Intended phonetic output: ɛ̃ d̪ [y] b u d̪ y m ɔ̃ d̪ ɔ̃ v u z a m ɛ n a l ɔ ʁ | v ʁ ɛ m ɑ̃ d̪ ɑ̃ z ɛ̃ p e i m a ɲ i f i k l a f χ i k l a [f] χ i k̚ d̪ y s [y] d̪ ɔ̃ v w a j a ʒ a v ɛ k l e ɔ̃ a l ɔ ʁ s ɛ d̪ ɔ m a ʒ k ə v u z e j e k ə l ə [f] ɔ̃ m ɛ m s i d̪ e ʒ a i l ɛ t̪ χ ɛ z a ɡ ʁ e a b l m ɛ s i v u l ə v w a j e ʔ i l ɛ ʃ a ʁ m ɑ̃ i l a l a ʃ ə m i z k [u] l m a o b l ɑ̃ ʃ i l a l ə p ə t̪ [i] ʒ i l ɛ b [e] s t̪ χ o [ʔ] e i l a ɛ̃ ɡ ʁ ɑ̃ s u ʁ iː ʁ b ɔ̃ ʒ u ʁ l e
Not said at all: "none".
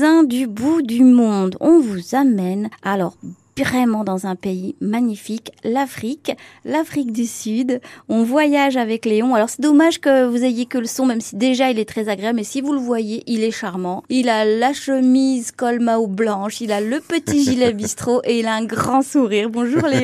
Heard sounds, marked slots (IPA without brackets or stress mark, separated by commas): y, f, y, s, ɔ, i, i, ʔ